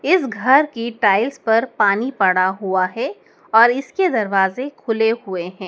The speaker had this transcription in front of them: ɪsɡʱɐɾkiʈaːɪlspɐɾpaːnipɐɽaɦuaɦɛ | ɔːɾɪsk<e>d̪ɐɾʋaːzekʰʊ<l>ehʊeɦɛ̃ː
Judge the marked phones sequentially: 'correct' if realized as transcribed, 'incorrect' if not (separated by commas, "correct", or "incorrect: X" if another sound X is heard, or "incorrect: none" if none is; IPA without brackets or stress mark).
correct, correct